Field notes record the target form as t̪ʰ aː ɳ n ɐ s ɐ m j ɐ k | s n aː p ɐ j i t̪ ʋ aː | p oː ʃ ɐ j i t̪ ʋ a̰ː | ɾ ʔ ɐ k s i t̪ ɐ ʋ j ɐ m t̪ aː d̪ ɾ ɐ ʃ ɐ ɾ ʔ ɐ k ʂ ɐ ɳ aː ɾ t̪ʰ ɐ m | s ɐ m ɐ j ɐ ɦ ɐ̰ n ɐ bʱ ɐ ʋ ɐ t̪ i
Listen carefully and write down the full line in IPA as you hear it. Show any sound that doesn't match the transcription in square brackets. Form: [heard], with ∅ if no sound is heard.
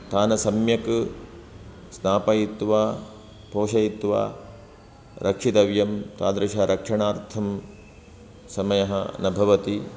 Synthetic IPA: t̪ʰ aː [∅] n ɐ s ɐ m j ɐ k | s n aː p ɐ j i t̪ ʋ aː | p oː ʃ ɐ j i t̪ ʋ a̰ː | ɾ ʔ ɐ k [ʂ] i t̪ ɐ ʋ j ɐ m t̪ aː d̪ ɾ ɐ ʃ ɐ ɾ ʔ ɐ k ʂ ɐ ɳ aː ɾ t̪ʰ ɐ m | s ɐ m ɐ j ɐ ɦ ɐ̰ n ɐ bʱ ɐ ʋ ɐ t̪ i